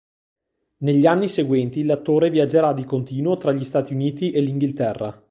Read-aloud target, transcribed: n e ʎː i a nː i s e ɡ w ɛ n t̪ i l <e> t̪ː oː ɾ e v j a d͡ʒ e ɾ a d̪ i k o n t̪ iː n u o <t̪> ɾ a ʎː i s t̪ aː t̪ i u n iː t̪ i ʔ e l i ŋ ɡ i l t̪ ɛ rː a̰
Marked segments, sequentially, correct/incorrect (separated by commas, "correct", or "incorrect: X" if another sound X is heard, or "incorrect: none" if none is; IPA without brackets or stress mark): incorrect: a, correct